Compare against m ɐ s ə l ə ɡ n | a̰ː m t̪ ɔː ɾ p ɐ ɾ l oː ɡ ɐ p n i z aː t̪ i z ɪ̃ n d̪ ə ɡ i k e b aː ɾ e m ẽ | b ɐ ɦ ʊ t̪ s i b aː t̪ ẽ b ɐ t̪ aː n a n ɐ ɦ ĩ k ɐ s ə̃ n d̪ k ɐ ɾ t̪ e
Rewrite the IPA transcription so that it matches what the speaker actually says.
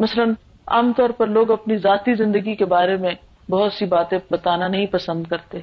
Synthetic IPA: m ɐ s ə l ə n | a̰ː m t̪ ɔː ɾ p ɐ ɾ l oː ɡ ɐ p n i z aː t̪ i z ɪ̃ n d̪ ə ɡ i k e b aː ɾ e m ẽ | b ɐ ɦ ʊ t̪ s i b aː t̪ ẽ b ɐ t̪ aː n a n ɐ ɦ ĩ p ɐ s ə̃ n d̪ k ɐ ɾ t̪ e